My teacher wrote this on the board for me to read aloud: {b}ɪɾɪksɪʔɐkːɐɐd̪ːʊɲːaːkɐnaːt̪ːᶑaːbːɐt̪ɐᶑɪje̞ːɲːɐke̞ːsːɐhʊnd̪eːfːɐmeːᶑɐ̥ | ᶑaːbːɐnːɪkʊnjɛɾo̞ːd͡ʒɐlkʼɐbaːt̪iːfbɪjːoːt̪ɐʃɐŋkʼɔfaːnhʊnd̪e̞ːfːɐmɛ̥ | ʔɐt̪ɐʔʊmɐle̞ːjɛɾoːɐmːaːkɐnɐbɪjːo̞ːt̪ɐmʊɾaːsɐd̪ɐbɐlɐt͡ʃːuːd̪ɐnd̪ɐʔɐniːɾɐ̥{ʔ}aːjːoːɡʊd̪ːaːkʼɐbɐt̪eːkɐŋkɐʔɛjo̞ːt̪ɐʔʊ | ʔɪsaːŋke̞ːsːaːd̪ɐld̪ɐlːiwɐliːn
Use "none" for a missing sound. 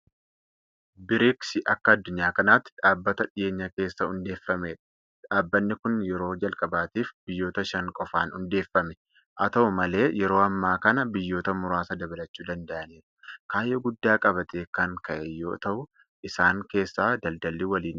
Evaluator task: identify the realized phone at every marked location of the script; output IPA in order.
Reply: b, k

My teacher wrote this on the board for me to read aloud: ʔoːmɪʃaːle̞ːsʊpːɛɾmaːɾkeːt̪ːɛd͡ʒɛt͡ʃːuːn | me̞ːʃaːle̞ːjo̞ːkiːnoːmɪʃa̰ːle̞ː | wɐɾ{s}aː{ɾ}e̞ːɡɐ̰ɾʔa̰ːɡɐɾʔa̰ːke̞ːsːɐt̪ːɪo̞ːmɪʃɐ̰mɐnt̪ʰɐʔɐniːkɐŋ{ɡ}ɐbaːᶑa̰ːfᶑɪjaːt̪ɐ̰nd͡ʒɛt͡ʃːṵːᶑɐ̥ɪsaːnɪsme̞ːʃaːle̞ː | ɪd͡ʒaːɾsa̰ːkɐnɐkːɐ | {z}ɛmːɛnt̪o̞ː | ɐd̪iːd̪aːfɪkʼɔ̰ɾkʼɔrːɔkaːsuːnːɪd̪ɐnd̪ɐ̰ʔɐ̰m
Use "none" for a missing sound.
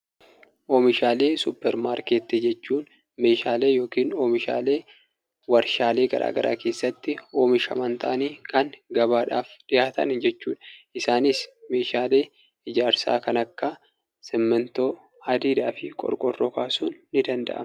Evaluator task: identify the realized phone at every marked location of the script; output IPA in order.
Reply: ʃ, l, ɡ, s

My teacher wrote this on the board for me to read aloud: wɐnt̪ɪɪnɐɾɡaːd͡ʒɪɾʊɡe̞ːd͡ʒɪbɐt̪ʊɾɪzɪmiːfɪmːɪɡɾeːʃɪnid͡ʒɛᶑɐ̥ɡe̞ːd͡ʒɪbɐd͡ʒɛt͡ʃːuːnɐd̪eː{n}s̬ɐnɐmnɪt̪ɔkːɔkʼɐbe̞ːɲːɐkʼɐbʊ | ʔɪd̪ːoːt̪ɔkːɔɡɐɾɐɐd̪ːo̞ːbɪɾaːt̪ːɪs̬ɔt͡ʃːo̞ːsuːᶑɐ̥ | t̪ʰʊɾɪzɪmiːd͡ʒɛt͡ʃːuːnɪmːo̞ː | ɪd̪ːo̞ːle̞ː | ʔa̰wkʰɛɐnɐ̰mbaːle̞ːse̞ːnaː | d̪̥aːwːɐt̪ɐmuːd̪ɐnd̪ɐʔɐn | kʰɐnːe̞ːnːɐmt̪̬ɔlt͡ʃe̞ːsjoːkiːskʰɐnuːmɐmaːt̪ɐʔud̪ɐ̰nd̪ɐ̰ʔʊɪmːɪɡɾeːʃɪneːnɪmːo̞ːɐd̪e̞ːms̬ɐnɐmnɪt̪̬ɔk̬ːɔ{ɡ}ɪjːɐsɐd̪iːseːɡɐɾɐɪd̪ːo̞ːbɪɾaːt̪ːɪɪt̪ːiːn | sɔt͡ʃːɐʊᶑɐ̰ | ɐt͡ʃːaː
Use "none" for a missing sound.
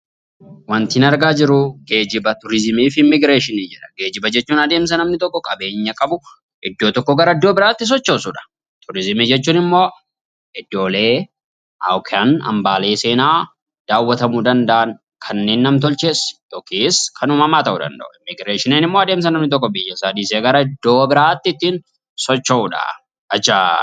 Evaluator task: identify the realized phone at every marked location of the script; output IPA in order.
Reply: m, b

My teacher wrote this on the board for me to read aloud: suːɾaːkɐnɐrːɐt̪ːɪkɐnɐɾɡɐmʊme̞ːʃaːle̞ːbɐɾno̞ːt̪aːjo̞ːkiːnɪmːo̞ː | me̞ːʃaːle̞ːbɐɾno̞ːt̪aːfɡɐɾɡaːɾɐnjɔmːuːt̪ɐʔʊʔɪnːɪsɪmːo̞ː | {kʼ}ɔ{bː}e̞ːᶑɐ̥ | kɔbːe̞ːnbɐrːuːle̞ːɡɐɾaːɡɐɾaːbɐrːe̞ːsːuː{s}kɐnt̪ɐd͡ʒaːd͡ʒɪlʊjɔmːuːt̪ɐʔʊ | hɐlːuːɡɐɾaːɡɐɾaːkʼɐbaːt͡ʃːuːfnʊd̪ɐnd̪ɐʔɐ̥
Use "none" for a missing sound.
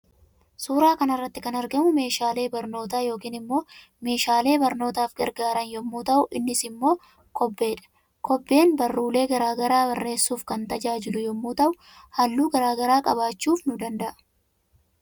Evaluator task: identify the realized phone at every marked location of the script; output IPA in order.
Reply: k, bː, f

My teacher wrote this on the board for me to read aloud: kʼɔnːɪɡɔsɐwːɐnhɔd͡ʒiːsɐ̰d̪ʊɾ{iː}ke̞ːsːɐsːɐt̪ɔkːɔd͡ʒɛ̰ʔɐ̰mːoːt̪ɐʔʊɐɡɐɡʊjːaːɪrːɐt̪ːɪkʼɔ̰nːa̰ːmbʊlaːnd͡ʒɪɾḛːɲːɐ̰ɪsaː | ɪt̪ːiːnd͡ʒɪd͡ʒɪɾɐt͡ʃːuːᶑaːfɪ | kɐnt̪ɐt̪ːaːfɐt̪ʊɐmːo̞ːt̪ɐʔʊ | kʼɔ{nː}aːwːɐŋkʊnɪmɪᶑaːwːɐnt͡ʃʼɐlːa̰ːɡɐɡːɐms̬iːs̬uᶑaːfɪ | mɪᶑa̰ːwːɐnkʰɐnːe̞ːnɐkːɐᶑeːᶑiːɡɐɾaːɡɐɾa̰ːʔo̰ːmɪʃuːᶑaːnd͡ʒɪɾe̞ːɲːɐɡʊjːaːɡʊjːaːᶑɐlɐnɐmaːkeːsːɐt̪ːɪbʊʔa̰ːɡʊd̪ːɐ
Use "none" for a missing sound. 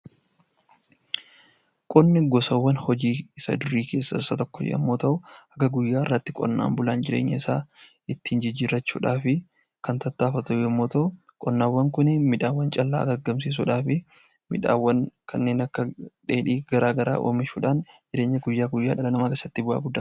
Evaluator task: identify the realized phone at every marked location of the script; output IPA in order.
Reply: iː, nː

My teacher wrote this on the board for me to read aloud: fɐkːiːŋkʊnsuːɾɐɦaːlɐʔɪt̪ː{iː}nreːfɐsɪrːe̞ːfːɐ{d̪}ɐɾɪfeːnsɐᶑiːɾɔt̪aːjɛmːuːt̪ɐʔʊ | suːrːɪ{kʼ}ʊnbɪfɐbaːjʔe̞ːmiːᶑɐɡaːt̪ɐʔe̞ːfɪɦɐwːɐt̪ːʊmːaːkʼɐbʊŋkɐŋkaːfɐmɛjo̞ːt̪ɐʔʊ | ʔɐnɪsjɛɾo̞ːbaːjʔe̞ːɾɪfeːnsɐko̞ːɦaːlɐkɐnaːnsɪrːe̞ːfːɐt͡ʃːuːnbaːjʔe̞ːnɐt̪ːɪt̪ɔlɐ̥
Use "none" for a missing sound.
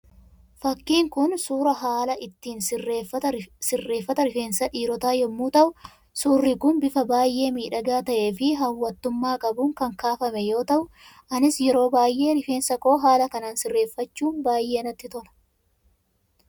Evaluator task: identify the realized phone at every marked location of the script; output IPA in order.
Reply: iː, t̪, k

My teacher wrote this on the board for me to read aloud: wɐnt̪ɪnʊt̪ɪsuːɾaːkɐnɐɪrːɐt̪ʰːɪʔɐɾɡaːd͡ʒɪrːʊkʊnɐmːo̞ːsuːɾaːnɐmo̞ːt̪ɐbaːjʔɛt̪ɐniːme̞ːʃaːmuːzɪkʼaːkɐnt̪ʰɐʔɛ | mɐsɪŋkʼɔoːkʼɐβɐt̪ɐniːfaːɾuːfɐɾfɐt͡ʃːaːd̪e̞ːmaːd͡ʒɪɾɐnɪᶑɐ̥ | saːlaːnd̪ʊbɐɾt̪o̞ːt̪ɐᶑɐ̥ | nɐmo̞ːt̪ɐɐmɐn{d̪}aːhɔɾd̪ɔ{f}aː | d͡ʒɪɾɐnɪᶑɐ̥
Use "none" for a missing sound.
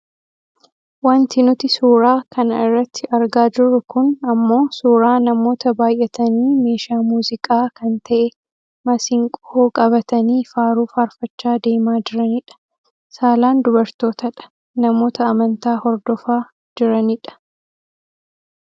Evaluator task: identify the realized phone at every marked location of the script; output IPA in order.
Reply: t̪, f

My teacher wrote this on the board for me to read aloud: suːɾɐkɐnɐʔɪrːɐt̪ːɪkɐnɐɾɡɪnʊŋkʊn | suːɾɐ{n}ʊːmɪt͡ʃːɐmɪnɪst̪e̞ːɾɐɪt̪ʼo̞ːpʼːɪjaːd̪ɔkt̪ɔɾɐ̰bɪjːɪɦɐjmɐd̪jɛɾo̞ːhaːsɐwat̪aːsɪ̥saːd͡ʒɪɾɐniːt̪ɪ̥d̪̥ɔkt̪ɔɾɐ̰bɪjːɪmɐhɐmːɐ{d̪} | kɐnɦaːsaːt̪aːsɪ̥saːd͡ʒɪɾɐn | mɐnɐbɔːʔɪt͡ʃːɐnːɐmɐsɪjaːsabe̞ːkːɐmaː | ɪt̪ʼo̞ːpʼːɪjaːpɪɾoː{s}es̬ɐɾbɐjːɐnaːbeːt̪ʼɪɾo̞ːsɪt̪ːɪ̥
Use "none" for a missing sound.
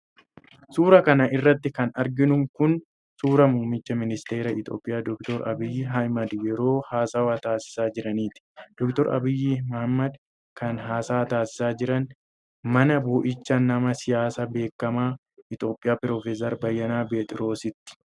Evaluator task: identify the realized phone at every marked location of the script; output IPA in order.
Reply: m, d̪, f

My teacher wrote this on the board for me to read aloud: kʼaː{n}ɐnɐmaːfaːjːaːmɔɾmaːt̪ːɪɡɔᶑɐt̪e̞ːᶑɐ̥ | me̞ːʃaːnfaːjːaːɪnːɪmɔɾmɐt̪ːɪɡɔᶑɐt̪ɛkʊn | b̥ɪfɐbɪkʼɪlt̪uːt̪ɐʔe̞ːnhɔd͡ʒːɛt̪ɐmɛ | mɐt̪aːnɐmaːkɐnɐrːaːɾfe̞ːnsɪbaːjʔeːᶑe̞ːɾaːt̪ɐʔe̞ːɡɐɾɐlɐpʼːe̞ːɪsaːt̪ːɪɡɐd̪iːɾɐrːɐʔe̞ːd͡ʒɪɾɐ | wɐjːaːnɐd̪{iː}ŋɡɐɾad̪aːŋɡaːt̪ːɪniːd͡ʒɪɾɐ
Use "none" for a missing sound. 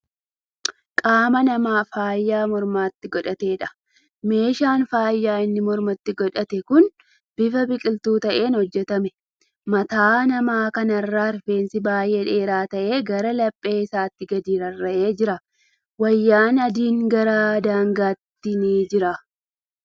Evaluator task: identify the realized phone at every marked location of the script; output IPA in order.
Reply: m, iː

